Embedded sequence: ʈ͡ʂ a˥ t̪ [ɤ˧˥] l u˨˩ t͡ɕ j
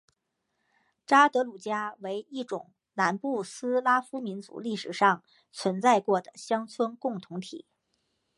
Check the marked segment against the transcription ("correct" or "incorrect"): correct